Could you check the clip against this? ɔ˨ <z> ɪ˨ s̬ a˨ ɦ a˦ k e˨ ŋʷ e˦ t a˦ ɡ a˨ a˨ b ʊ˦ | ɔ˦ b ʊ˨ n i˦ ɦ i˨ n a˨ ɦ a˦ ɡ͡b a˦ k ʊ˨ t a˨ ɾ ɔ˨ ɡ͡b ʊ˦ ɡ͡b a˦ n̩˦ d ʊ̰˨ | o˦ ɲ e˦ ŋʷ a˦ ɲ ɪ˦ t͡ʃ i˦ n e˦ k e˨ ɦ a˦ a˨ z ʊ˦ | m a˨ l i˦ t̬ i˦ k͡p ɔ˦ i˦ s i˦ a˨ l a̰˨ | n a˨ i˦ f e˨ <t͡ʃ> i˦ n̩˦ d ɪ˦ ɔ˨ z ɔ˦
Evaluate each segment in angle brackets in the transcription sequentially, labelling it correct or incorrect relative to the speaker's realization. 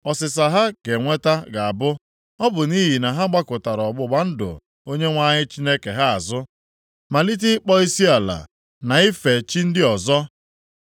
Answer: incorrect, correct

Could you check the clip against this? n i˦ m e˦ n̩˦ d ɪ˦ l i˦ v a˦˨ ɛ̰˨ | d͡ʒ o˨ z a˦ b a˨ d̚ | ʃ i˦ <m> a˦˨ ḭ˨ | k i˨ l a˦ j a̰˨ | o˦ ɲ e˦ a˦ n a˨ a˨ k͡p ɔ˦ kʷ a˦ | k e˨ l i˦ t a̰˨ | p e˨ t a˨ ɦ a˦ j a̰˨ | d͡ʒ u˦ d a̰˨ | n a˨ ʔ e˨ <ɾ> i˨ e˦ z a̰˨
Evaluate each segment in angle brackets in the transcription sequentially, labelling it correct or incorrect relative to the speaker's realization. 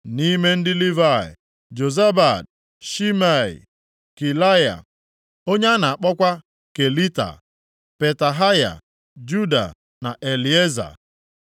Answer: correct, incorrect

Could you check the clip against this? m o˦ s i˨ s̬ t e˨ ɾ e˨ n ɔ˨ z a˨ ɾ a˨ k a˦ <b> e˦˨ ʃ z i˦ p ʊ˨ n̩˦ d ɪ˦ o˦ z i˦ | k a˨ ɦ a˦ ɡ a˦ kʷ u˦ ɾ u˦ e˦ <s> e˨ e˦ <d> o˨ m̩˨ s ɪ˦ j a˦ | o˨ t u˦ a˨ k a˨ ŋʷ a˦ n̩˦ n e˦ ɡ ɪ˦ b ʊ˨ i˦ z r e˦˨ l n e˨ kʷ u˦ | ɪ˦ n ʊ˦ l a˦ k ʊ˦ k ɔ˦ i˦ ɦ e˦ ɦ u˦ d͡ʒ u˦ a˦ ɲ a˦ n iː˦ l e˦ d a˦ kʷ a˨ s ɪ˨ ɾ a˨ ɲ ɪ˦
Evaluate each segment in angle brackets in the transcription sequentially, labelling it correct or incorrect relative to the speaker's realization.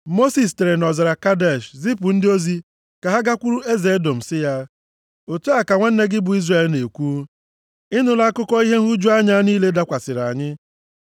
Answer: incorrect, incorrect, correct

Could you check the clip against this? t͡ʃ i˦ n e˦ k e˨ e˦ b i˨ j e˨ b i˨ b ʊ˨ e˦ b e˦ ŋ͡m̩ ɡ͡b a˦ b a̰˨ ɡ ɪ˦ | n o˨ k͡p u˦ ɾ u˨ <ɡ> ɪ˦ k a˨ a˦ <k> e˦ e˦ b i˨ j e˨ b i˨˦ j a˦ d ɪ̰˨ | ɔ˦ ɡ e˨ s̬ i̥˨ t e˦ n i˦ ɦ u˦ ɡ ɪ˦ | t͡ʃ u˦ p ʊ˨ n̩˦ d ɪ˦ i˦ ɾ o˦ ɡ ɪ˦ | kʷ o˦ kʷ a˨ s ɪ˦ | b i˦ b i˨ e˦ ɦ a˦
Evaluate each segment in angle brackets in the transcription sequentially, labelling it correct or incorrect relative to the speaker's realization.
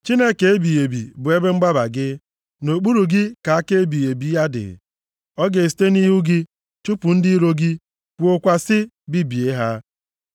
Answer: correct, correct

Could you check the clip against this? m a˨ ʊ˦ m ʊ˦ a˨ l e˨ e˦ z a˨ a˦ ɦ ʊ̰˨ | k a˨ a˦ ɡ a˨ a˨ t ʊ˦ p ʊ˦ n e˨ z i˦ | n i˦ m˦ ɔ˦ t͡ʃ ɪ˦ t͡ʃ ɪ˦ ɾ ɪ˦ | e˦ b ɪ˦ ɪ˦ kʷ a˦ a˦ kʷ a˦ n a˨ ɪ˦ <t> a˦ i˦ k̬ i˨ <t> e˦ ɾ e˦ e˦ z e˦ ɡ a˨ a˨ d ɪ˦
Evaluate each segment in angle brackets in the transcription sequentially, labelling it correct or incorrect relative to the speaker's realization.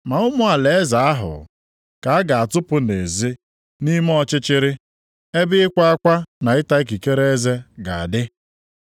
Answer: correct, incorrect

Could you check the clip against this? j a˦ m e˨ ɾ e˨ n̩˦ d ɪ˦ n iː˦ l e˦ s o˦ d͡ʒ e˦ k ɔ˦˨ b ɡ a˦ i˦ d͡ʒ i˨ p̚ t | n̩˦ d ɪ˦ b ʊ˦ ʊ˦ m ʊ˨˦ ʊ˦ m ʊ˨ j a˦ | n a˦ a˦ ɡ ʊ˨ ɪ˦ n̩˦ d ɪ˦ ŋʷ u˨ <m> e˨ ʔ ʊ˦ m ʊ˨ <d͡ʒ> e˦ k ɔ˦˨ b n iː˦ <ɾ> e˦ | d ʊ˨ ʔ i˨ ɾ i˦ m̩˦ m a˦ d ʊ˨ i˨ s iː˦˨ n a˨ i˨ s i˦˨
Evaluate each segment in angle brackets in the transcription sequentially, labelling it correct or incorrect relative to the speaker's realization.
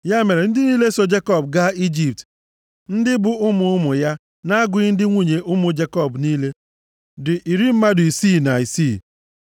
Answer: incorrect, correct, incorrect

